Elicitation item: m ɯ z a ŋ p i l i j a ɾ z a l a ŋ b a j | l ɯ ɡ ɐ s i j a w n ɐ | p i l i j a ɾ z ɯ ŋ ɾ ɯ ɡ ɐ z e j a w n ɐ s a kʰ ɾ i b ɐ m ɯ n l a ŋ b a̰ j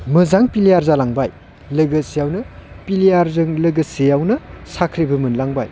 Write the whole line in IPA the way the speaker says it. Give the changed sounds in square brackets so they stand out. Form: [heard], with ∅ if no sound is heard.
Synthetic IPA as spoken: m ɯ z a ŋ p i l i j a ɾ z a l a ŋ b a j | l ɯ ɡ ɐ s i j a w n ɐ | p i l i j a ɾ z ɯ ŋ [l] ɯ ɡ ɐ [s] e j a w n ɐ s a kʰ ɾ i b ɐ m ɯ n l a ŋ b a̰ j